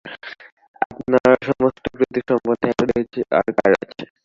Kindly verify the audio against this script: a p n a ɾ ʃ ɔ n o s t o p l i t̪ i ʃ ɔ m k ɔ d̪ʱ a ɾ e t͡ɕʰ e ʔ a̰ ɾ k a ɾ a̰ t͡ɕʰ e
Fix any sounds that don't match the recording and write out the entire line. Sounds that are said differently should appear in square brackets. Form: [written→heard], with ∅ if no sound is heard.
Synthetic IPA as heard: a p n a ɾ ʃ ɔ [n→m] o s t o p [l→ɾ] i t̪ i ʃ ɔ m [k→p] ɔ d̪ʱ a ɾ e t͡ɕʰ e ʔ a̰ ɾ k a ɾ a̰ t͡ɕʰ e

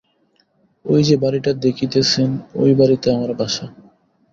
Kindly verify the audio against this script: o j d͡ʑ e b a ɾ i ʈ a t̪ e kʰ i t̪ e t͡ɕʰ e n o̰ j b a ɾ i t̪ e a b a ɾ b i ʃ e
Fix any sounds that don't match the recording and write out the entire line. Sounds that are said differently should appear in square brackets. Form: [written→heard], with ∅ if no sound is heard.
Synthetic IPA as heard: o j d͡ʑ e b a ɾ i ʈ a [t̪→d̪] e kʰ i t̪ e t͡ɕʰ e n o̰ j b a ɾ i t̪ e a [b→m] a ɾ b [i→a] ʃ [e→a]

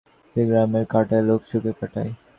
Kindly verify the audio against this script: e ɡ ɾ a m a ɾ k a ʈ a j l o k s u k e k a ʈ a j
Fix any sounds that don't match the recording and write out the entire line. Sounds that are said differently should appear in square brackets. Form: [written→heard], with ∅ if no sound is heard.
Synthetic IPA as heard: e ɡ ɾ a m [a→e] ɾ k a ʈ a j l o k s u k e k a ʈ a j

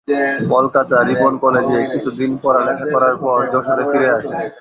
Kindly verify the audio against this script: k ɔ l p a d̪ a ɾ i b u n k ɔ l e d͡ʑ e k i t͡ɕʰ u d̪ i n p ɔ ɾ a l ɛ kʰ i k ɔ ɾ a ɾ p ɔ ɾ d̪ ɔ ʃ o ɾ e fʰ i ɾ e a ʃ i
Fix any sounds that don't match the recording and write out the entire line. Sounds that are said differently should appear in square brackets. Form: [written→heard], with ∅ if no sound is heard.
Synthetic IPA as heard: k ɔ l [p→k] a [d̪→t̪] a ɾ i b [u→o] n k ɔ l e d͡ʑ e k i t͡ɕʰ u d̪ i n p ɔ ɾ a l ɛ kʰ [i→a] k ɔ ɾ a ɾ p ɔ ɾ d̪ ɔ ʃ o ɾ e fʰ i ɾ e a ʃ [i→e]

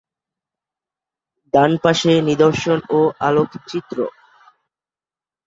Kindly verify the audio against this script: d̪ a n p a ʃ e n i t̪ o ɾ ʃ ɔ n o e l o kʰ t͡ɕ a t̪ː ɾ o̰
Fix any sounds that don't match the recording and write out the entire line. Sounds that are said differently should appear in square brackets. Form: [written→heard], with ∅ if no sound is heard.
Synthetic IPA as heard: d̪ a n p a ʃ e n i [t̪→d̪] o ɾ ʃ [ɔ→o] n o [e→a] l o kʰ t͡ɕ [a→i] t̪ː ɾ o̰

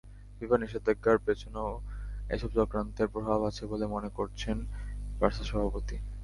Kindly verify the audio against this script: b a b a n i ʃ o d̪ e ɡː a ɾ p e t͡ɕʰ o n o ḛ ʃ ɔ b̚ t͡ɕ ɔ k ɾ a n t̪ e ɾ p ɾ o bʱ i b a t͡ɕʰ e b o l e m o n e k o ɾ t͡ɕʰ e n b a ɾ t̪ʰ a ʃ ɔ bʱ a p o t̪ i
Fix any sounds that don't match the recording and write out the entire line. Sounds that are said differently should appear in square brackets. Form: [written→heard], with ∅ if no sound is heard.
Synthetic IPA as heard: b [a→i] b a n i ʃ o d̪ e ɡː a ɾ p e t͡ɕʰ o n o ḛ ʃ ɔ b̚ t͡ɕ ɔ k ɾ a n t̪ e ɾ p ɾ o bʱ [i→a] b a t͡ɕʰ e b o l e m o n e k o ɾ t͡ɕʰ e n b a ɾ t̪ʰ a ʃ ɔ bʱ a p o t̪ i

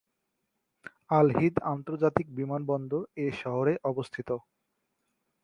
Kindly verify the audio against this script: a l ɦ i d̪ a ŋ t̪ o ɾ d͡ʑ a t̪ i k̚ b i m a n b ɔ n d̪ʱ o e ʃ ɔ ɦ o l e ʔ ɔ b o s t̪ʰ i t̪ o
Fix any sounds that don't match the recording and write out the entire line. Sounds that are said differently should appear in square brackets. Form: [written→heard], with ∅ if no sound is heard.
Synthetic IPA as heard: a l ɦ i d̪ a [ŋ→n] t̪ o ɾ d͡ʑ a t̪ i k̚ b i m a n b ɔ n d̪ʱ o e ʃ ɔ ɦ o [l→ɾ] e ʔ ɔ b o s t̪ʰ i t̪ o

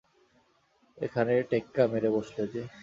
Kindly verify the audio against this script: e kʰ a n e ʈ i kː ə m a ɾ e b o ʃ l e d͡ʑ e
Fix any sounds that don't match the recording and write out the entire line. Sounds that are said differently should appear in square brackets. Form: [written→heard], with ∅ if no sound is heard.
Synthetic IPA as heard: e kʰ a n e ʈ [i→e] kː [ə→a] m [a→e] ɾ e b o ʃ l e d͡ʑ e

